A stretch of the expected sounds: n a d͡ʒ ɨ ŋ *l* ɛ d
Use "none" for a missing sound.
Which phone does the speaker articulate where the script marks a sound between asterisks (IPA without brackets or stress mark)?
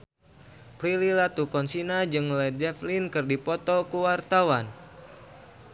l